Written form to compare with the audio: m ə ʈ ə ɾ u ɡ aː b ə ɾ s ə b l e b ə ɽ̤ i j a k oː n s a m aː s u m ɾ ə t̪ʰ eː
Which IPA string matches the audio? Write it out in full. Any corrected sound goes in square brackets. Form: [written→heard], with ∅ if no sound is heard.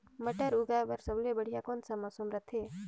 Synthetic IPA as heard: m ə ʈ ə ɾ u ɡ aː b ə ɾ s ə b l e b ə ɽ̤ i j a k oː n s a m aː s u m ɾ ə t̪ʰ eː